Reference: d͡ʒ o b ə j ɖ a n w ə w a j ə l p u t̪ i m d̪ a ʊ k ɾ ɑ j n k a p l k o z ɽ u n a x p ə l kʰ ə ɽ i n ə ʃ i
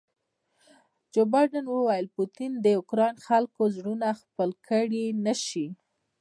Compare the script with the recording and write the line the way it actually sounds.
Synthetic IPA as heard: d͡ʒ o b ɑ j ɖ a n w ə w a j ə l p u t̪ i n d̪ ə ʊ k ɾ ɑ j n x a l k o z ɽ u n a x p ə l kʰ ə ɽ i n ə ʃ i